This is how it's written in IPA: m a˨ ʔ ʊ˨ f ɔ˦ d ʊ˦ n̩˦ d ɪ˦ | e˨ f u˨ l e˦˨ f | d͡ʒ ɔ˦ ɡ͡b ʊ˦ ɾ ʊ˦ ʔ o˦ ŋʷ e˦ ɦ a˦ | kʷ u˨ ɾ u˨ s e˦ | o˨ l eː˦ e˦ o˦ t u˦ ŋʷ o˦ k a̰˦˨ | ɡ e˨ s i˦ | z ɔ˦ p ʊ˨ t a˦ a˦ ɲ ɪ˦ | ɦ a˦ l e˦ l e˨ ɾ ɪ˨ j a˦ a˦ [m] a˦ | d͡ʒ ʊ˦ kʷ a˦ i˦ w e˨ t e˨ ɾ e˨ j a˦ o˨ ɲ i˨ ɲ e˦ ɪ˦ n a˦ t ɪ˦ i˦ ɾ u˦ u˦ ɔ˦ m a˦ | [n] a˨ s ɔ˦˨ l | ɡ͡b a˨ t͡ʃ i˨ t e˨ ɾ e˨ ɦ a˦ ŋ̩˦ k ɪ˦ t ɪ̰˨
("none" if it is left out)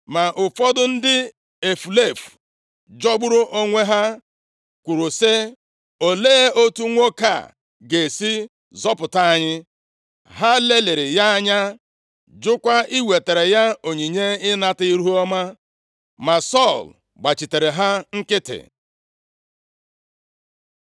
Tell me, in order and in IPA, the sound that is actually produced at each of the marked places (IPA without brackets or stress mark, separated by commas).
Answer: ɲ, m